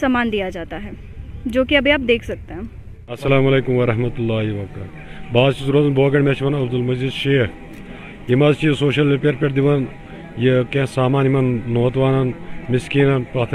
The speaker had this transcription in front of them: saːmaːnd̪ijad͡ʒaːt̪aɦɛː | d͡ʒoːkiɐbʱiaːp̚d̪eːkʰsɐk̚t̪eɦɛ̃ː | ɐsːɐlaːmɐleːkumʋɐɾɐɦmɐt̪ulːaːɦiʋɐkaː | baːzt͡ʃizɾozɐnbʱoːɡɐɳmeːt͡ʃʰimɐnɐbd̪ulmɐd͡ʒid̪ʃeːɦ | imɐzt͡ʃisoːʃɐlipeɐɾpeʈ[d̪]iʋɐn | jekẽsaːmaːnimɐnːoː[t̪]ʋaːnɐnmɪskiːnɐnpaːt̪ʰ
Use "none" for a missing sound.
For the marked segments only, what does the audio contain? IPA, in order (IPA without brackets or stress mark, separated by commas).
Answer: d̪, t̪